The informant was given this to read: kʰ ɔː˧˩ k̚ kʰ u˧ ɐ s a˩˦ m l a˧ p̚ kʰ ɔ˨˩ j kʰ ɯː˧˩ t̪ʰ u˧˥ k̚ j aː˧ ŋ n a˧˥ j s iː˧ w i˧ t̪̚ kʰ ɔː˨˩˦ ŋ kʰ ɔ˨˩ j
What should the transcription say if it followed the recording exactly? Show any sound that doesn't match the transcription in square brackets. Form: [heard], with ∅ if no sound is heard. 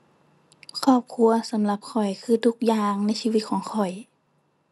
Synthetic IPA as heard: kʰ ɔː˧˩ [p̚] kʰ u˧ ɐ s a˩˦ m l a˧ p̚ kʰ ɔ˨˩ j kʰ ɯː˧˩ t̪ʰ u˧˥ k̚ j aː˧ ŋ n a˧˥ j s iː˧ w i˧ t̪̚ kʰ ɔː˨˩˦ ŋ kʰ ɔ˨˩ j